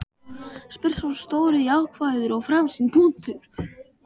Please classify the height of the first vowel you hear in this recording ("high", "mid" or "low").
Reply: high